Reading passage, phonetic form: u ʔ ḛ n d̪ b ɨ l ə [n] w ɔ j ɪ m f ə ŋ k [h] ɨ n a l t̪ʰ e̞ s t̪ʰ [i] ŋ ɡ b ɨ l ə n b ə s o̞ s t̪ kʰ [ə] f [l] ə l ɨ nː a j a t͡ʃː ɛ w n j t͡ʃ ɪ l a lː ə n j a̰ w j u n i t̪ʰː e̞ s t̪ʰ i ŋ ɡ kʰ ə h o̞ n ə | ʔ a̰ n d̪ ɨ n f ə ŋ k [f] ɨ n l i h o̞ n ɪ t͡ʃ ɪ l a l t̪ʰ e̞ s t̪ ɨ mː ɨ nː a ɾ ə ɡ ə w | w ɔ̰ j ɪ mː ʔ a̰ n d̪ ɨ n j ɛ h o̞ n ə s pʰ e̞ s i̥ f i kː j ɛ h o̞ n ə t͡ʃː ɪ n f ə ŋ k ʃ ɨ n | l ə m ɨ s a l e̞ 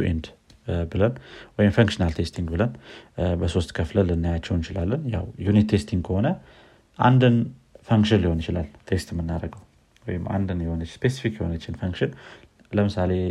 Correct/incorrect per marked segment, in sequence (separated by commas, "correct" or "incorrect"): correct, incorrect, correct, correct, correct, incorrect